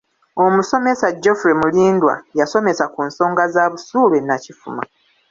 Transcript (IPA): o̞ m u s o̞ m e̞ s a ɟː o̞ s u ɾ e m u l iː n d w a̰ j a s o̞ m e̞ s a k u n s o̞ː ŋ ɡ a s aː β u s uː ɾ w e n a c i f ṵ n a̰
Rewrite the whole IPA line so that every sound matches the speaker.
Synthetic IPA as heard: o̞ m u s o̞ m e̞ s a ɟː o̞ f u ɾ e m u l iː n d w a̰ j a s o̞ m e̞ s a k u n s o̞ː ŋ ɡ a z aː β u s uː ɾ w e n a c i f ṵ m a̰